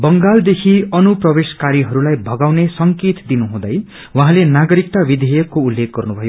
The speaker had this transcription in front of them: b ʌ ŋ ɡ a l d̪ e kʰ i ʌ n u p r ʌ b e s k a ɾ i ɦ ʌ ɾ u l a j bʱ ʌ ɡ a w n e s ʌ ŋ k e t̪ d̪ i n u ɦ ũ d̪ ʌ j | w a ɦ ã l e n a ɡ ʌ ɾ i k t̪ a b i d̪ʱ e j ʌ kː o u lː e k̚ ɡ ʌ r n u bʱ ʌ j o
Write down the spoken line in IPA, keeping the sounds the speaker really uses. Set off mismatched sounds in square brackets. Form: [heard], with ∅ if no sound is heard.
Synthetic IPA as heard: b ʌ ŋ ɡ a l d̪ e kʰ i ʌ n u p r ʌ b e s k a ɾ i ɦ ʌ ɾ u l a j bʱ ʌ ɡ a w n e s ʌ ŋ k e t̪ d̪ i n u ɦ ũ d̪ ʌ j | w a ɦ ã l e n a ɡ ʌ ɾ i k t̪ a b i d̪ʱ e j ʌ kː o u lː e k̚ ɡ ʌ r n u bʱ ʌ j o